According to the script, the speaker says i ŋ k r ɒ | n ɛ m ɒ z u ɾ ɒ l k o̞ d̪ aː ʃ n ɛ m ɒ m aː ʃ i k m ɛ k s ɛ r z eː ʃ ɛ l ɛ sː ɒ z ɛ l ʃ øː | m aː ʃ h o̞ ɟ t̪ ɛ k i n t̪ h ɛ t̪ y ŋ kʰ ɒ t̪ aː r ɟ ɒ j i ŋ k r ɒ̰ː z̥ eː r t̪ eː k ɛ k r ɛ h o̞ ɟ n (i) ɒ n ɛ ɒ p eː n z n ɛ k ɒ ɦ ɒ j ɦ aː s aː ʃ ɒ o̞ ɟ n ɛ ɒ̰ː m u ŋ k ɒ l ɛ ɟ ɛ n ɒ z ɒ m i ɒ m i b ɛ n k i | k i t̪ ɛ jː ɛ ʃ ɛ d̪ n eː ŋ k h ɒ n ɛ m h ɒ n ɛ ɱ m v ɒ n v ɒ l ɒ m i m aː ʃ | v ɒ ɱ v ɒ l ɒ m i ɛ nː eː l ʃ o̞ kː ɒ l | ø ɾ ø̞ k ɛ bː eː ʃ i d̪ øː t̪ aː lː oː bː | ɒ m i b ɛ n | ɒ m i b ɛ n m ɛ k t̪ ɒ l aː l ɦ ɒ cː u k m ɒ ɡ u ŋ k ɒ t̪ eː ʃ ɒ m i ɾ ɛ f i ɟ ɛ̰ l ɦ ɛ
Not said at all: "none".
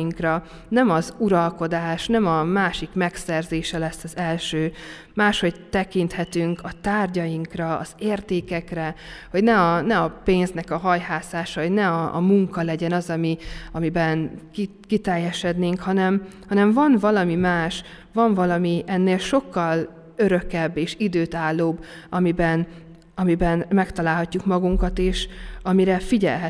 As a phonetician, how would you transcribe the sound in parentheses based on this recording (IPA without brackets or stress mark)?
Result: ɛ